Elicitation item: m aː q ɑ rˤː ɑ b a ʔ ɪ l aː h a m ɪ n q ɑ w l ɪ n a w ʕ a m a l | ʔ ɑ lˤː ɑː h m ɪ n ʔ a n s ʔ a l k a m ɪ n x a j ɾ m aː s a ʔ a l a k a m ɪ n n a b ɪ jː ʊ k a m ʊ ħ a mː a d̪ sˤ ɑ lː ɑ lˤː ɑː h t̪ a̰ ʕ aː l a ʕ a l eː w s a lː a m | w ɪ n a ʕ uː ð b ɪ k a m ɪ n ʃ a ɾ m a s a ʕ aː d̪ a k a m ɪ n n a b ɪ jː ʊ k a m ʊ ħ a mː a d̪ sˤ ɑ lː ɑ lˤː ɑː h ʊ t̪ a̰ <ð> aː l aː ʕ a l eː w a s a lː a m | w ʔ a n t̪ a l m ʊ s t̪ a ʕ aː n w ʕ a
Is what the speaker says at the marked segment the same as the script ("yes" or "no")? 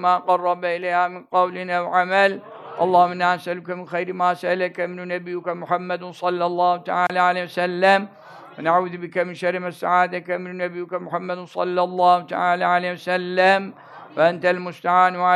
no